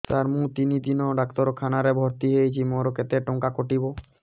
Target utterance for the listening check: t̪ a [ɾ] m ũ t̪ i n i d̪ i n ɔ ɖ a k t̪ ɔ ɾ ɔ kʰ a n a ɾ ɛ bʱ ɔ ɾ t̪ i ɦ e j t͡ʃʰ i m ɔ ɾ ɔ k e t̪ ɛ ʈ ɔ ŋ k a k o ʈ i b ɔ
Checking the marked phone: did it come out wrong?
no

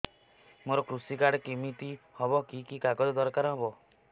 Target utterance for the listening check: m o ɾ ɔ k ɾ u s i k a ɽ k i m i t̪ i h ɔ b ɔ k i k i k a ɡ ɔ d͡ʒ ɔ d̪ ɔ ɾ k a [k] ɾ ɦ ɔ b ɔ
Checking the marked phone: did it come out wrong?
yes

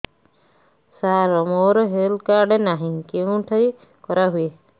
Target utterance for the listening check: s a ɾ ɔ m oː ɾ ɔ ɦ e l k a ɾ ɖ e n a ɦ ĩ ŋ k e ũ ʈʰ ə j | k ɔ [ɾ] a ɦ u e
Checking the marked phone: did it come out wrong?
no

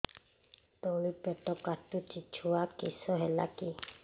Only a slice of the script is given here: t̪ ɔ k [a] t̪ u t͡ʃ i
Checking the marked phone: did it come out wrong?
no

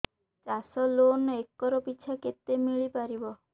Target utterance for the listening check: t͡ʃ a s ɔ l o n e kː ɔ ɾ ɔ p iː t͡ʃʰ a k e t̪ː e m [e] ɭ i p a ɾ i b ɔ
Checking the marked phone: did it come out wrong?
yes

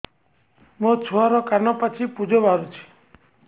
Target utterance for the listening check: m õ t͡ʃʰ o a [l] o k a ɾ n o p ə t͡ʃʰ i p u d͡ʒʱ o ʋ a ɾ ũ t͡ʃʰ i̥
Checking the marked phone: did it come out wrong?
yes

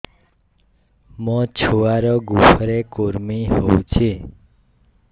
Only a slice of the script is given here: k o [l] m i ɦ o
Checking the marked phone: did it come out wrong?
yes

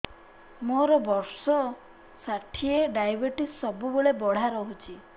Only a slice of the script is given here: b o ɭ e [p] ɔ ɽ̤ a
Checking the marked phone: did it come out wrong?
yes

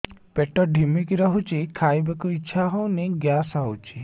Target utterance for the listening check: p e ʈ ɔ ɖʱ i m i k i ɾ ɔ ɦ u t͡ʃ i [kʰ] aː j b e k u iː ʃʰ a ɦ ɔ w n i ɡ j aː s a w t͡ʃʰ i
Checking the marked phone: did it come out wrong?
no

